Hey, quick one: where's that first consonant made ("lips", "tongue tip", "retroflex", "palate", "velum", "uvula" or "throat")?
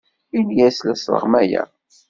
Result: tongue tip